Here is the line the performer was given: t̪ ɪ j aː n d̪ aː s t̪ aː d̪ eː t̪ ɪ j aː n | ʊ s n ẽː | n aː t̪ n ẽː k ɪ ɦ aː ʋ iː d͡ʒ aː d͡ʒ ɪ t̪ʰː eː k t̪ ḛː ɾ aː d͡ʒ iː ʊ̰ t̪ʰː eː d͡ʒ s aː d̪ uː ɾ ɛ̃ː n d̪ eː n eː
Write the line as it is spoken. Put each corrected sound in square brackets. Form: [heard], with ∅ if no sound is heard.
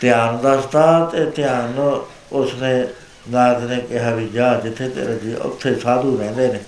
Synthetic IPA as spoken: t̪ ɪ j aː n d̪ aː s t̪ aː [t̪] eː t̪ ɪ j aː n | ʊ s n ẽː | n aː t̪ n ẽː k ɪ ɦ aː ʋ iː d͡ʒ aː d͡ʒ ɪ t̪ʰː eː [∅] t̪ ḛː ɾ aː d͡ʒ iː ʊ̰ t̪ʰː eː [∅] s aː d̪ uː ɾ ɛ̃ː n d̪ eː n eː